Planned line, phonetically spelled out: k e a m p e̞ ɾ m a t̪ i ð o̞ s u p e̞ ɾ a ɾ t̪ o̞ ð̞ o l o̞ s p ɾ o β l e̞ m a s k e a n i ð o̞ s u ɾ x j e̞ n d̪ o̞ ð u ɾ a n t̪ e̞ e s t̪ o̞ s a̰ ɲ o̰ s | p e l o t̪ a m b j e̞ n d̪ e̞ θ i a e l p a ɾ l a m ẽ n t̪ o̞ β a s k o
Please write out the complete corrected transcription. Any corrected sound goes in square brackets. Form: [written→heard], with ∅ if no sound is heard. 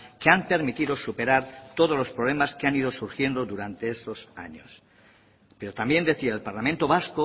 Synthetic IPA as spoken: k e a m p e̞ ɾ m [a→i] t̪ i ð o̞ s u p e̞ ɾ a ɾ t̪ o̞ ð̞ o l o̞ s p ɾ o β l e̞ m a s k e a n i ð o̞ s u ɾ x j e̞ n d̪ o̞ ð u ɾ a n t̪ e̞ e s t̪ o̞ s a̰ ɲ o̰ s | p e [l→ɾ] o t̪ a m b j e̞ n d̪ e̞ θ i a e l p a ɾ l a m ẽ n t̪ o̞ β a s k o